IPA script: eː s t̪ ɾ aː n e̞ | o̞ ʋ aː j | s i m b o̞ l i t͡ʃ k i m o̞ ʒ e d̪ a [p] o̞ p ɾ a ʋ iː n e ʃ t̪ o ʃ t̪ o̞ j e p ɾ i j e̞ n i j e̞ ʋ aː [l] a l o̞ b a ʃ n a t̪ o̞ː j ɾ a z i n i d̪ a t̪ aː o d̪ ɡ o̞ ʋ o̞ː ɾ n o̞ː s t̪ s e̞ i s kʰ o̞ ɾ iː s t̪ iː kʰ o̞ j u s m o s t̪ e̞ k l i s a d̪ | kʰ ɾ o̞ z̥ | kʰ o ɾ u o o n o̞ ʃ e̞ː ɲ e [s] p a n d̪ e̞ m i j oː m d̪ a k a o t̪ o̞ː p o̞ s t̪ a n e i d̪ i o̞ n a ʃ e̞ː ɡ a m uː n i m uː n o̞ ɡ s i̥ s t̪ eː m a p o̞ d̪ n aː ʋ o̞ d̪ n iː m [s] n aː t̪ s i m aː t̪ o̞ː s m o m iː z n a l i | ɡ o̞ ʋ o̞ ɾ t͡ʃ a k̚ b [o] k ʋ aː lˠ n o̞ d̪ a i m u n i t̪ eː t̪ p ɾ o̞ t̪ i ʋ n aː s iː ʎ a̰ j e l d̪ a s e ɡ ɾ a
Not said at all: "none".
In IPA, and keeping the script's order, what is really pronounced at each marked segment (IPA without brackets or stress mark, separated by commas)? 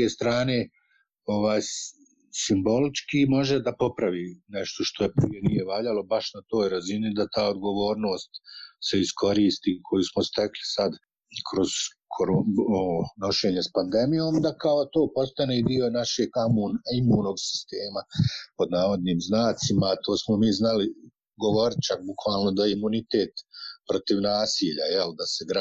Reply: p, ʎ, s, z, u